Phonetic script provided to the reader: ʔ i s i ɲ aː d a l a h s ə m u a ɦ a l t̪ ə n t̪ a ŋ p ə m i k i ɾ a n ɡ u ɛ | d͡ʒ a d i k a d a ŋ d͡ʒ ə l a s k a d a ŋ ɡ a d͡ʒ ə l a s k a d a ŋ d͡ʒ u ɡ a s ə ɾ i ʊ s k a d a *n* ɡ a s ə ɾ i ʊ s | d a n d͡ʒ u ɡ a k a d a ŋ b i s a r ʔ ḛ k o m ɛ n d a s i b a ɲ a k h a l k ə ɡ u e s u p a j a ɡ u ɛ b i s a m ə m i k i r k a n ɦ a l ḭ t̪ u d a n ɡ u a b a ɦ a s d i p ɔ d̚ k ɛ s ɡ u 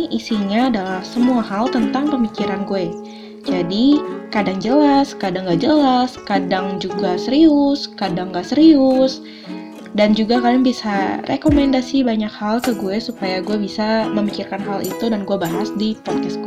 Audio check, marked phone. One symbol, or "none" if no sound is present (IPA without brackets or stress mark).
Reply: ŋ